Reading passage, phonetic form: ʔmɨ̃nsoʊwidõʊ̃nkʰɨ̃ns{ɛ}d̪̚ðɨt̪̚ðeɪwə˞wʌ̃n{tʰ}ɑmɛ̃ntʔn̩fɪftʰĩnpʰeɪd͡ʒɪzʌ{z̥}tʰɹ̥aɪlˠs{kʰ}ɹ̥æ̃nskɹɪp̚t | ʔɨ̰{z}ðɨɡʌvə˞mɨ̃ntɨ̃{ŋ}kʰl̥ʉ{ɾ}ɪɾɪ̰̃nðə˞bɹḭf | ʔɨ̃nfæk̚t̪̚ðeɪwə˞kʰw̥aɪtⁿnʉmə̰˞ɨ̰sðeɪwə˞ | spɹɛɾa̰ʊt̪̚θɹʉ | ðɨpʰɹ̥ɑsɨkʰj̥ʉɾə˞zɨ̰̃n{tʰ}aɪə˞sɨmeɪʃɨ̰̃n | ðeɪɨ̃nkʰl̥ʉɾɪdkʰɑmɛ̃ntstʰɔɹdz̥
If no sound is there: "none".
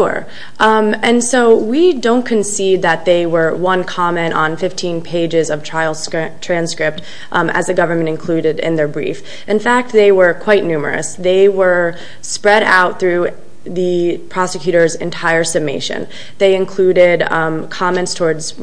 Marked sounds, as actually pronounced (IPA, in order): i, kʰ, v̥, tʰ, z, n, ɾ, tʰ

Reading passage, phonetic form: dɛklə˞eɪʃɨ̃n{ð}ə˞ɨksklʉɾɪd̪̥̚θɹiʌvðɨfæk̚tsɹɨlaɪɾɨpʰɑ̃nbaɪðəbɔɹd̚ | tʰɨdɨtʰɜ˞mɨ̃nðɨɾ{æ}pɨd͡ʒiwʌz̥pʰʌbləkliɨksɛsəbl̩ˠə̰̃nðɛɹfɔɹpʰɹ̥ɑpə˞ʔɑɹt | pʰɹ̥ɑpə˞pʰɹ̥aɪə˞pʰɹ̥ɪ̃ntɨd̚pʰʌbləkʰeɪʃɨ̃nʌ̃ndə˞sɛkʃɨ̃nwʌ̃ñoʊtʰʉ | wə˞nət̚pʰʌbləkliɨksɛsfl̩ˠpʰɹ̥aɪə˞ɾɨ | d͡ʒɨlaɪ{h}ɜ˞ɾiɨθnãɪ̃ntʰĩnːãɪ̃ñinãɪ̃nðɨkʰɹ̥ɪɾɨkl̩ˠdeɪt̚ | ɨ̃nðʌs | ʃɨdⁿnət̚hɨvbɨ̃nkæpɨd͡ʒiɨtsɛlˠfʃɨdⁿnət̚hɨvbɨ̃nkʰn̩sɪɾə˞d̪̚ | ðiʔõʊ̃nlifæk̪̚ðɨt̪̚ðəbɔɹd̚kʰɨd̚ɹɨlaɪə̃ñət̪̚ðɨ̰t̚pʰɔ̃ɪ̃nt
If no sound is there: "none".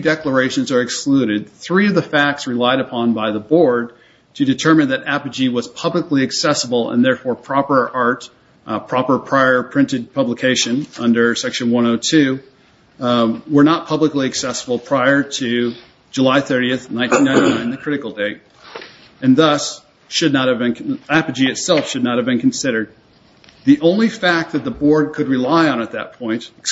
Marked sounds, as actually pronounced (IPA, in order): z, æ, θ

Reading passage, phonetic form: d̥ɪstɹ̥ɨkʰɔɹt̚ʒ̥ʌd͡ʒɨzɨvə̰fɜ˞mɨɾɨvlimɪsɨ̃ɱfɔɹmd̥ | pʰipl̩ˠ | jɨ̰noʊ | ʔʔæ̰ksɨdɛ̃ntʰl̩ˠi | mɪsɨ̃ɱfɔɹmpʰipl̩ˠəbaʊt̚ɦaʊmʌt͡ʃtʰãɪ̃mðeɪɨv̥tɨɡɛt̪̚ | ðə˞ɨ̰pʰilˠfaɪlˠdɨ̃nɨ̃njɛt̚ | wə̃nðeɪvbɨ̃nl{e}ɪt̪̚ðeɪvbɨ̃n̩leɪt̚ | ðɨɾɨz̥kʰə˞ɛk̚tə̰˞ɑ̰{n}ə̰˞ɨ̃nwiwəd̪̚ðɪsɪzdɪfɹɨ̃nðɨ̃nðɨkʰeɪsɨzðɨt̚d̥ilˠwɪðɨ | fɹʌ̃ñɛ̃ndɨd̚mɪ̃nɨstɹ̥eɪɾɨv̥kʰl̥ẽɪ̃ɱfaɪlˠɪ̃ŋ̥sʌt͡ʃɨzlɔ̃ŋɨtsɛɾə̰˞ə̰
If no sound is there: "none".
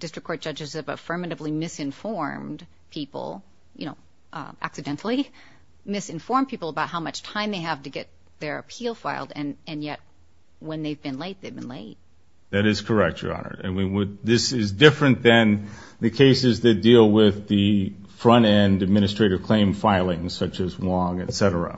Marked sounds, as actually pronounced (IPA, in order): e, n

